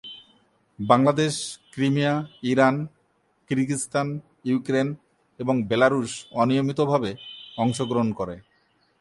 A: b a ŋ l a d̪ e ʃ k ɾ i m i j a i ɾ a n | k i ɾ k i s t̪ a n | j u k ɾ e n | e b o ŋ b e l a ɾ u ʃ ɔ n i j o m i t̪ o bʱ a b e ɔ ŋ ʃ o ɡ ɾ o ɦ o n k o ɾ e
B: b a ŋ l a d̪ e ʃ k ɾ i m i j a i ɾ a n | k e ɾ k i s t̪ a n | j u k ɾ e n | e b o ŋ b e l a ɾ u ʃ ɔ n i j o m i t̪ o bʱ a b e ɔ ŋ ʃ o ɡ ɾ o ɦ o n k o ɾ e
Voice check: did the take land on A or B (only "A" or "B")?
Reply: A